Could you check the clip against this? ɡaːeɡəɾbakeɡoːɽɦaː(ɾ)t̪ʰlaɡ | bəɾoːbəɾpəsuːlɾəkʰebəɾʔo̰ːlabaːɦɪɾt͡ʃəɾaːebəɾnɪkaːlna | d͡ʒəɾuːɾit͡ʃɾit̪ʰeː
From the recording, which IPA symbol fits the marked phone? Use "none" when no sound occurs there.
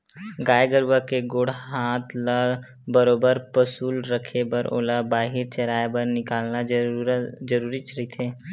none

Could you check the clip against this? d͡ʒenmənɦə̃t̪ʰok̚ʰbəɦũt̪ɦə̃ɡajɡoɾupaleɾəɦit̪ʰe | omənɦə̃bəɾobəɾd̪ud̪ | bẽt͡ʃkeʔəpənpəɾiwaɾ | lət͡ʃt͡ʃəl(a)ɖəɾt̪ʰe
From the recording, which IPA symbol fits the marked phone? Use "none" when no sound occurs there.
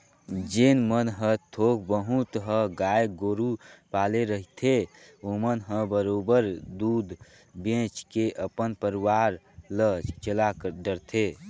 a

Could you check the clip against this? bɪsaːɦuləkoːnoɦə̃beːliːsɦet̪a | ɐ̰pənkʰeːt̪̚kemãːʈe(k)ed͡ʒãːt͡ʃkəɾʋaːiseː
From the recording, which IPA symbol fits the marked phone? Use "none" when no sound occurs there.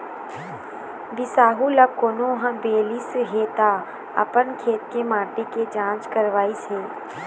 k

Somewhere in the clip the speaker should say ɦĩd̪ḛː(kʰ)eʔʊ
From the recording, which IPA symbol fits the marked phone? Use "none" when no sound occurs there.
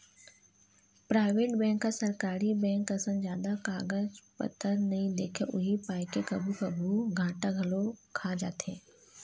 kʰ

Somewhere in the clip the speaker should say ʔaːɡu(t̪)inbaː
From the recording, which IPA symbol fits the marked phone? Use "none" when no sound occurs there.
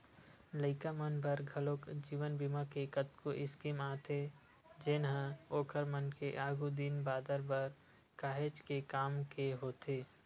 d̪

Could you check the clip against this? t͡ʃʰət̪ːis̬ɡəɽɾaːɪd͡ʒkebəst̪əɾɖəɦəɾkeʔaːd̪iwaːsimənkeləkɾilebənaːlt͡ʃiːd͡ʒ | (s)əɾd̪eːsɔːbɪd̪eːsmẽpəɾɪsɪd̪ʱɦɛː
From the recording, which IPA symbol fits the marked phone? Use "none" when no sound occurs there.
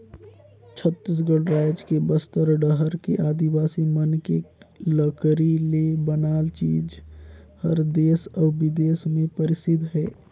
h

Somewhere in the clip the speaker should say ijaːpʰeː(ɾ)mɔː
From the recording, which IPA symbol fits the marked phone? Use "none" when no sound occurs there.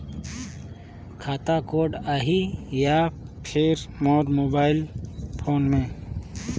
ɾ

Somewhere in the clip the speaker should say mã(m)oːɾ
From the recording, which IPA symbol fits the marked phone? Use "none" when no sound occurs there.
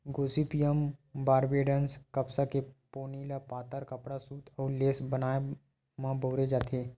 b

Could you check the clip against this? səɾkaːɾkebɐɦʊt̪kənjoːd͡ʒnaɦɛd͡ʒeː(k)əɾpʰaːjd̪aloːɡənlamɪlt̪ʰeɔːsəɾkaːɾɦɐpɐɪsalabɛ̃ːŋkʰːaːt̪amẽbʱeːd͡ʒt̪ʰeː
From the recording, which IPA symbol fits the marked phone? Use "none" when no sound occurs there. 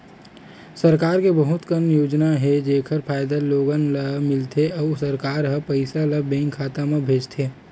kʰ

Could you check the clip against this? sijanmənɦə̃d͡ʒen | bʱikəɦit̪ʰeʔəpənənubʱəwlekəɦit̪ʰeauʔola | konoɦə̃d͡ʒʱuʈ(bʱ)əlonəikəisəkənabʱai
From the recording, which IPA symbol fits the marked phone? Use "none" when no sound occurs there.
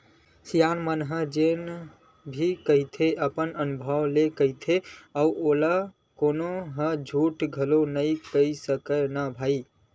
ɡʱ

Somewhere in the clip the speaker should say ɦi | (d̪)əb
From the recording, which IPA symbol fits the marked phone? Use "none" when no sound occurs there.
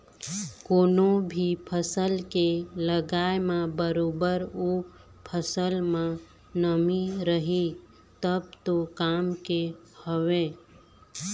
t̪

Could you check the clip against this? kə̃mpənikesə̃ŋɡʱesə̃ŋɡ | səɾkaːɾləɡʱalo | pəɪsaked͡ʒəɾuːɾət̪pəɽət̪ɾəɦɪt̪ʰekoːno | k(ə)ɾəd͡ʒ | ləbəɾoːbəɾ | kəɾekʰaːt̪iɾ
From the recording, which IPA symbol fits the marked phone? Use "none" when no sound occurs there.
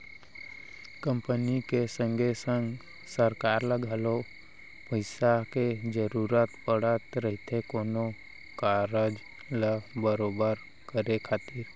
a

